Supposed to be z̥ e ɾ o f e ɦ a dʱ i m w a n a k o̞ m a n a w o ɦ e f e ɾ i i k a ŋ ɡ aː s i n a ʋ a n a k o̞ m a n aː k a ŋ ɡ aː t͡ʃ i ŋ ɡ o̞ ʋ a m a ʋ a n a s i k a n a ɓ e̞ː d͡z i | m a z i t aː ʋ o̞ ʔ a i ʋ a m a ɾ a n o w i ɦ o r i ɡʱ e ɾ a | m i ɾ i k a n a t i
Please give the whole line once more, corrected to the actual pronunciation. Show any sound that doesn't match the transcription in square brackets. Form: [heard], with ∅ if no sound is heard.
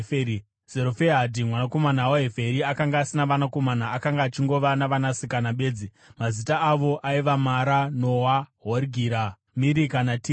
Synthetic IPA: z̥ e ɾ o f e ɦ a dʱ i m w a n a k o̞ m a n a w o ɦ e f e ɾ i [a] k a ŋ ɡ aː s i n a ʋ a n a k o̞ m a n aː k a ŋ ɡ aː t͡ʃ i ŋ ɡ o̞ ʋ a [n] a ʋ a n a s i k a n a ɓ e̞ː d͡z i | m a z i t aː ʋ o̞ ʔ a i ʋ a m a ɾ a n o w [a] ɦ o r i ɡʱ [i] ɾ a | m i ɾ i k a n a t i